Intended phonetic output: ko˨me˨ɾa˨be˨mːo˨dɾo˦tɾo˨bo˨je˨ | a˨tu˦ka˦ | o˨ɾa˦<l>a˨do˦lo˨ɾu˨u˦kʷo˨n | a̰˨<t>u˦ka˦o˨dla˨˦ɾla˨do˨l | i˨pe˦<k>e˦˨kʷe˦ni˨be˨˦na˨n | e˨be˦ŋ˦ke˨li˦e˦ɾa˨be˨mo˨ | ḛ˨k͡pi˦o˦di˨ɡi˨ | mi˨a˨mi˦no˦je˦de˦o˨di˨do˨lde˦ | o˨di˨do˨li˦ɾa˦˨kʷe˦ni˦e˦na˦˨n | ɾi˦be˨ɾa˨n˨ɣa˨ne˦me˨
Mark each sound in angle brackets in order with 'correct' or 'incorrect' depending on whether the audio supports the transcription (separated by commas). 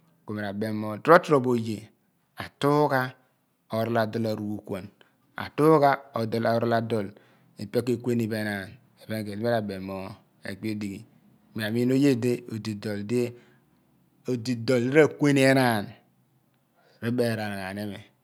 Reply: correct, correct, correct